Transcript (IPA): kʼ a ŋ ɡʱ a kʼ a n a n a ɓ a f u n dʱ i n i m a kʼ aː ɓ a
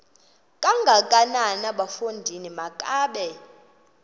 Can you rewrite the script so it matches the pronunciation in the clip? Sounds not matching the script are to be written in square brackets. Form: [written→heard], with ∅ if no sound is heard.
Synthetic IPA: kʼ a ŋ ɡʱ a kʼ a n a n a ɓ a f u n dʱ i n i m a kʼ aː ɓ [a→ɛ]